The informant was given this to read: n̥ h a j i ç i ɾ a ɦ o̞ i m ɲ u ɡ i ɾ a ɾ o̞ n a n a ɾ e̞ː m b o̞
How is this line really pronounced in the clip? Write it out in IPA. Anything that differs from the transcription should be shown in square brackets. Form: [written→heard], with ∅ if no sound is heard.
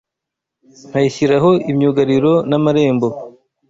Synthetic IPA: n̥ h a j i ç i ɾ a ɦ o̞ i m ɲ u ɡ [i→a] ɾ [a→i] ɾ o̞ n a [n→m] a ɾ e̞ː m b o̞